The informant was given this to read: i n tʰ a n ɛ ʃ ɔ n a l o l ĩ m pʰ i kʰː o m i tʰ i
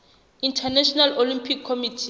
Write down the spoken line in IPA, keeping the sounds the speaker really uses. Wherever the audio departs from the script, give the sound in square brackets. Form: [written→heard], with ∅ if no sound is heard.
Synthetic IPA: i n tʰ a n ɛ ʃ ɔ n a l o l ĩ m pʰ i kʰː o m i tʰ i